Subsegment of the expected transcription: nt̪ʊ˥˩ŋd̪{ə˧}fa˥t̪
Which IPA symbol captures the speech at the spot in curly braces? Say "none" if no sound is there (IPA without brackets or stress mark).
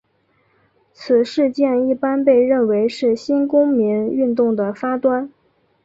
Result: ə˩